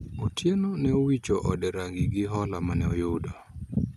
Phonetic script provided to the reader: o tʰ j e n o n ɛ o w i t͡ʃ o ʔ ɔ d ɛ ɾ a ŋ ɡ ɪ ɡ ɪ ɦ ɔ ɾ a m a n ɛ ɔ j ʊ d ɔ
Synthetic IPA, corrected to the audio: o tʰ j e n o n ɛ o w i t͡ʃ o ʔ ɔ d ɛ ɾ a ŋ ɡ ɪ ɡ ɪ ɦ ɔ l a m a n ɛ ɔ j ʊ d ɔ